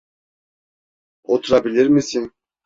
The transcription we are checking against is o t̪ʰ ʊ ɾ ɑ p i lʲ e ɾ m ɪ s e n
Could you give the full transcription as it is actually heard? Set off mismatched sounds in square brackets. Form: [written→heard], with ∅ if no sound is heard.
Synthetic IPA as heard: o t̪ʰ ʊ ɾ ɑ [p→b] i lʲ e ɾ m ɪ s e n